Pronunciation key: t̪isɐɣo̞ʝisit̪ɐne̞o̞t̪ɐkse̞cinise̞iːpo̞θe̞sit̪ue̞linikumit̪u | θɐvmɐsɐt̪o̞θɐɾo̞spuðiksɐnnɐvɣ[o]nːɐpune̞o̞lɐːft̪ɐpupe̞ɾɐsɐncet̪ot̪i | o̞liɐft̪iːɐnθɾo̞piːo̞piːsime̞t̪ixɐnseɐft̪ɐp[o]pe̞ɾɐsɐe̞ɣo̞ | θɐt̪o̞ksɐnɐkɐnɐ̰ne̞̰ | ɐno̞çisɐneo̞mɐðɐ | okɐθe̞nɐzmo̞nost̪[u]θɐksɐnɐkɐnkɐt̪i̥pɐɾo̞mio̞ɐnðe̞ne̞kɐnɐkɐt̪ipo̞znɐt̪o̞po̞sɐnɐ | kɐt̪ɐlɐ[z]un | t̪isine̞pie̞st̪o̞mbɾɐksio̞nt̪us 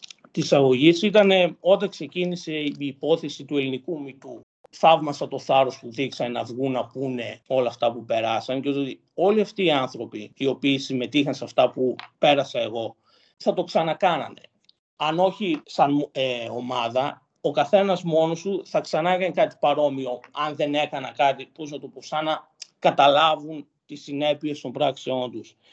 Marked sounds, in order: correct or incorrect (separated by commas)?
incorrect, incorrect, correct, incorrect